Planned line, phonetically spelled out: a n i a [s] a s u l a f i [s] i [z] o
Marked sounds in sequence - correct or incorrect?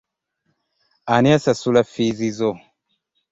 correct, incorrect, correct

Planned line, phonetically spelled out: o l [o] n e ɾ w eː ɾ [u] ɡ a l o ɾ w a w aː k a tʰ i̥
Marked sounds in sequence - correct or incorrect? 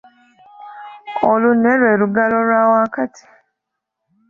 incorrect, correct

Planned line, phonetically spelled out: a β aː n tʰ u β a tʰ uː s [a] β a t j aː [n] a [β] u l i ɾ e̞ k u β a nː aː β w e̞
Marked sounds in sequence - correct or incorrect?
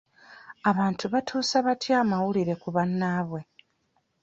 correct, incorrect, incorrect

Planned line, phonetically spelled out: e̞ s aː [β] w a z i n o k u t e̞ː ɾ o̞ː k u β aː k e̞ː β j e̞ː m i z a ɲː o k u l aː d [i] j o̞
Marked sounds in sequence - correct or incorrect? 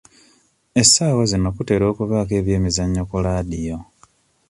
incorrect, correct

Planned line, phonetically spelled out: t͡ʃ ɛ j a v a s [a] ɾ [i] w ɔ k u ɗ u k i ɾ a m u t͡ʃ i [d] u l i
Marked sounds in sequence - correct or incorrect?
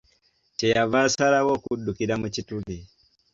correct, incorrect, incorrect

